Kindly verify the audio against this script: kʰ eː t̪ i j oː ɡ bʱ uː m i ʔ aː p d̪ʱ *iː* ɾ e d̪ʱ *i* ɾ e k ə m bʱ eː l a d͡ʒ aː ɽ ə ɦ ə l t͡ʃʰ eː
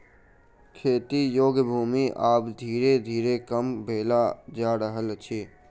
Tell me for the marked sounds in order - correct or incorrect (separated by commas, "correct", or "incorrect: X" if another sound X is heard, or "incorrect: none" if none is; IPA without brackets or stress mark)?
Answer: correct, incorrect: iː